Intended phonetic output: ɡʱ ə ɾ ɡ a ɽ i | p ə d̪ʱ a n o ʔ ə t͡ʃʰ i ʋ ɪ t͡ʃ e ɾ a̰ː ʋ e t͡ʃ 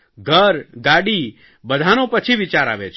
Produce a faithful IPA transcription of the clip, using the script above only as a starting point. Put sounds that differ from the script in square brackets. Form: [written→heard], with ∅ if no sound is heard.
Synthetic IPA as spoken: ɡʱ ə ɾ ɡ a ɽ i | [p→b] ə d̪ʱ a n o [ʔ→p] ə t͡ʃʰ i ʋ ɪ t͡ʃ [e→a] ɾ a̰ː ʋ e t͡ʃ